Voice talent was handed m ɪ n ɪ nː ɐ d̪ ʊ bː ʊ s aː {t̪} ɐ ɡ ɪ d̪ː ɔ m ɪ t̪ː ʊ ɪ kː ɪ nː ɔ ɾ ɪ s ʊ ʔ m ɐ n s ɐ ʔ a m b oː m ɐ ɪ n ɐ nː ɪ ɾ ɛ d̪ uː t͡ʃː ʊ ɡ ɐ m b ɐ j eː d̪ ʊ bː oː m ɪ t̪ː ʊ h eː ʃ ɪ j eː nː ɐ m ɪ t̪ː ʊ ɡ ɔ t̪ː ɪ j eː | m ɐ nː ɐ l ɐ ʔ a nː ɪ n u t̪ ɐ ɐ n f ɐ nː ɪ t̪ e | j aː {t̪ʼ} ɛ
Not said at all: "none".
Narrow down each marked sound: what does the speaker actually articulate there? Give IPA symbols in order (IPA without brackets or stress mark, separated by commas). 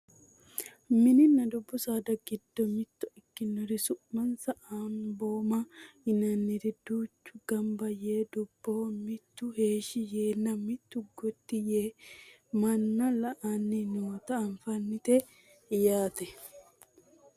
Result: d̪, t̪